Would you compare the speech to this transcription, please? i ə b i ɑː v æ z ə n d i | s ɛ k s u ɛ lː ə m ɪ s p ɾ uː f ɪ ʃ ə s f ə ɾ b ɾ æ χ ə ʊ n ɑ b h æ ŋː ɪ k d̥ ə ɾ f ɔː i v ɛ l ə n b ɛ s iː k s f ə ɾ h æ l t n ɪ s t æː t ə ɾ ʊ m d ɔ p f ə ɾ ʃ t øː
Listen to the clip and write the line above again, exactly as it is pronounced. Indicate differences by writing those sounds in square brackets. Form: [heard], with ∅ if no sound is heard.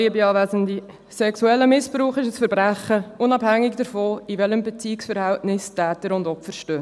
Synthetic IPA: i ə b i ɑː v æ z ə n d i | s ɛ k s u ɛ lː ə m ɪ s p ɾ uː [χ] ɪ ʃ ə s f ə ɾ b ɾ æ χ ə ʊ n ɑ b h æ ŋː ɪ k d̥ ə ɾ f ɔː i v ɛ l ə [m] b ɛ [t͡s] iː k s f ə ɾ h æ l t n ɪ s t æː t ə ɾ ʊ [n] d ɔ p f ə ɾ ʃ t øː